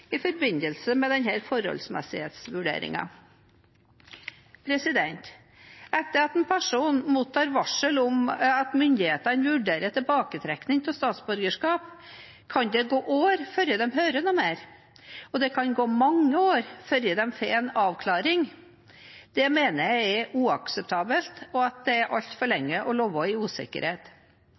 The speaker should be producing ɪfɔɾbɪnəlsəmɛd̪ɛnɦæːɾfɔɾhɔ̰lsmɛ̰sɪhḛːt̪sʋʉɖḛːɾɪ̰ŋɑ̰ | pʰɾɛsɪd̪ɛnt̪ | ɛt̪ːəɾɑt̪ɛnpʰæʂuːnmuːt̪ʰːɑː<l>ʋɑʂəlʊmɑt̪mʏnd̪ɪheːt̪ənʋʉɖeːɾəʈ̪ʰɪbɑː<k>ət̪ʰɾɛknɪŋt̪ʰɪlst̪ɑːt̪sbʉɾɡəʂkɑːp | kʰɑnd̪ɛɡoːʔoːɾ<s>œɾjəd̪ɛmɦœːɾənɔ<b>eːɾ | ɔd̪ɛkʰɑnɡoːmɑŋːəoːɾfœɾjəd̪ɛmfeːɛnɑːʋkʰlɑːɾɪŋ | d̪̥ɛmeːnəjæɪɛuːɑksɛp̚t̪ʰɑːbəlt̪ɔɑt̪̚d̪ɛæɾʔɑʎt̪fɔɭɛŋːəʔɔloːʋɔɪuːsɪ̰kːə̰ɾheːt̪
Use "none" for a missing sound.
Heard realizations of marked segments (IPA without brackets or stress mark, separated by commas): ɾ, k, f, m